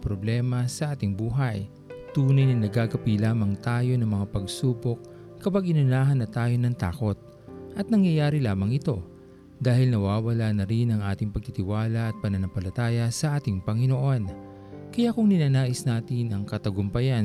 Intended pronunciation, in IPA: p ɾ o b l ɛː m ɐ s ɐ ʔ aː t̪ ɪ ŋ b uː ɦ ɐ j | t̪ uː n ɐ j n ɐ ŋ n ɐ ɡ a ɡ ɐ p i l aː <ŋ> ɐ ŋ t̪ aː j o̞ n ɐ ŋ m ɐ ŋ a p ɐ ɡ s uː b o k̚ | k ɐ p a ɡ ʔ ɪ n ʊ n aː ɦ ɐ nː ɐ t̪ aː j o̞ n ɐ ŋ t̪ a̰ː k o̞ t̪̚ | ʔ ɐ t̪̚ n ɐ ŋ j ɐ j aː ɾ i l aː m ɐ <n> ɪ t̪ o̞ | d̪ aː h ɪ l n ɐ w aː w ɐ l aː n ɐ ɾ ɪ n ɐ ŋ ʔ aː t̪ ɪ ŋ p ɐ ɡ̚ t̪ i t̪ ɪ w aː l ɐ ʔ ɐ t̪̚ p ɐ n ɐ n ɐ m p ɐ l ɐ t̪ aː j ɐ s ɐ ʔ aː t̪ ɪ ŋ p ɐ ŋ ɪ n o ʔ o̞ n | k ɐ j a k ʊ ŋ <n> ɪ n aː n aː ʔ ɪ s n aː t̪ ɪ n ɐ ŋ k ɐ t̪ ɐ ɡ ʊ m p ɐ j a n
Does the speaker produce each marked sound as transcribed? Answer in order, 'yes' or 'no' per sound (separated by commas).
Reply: no, no, yes